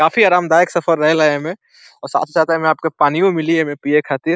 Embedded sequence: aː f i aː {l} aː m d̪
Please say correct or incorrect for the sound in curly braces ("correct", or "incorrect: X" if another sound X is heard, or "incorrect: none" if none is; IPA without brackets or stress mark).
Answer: incorrect: ɾ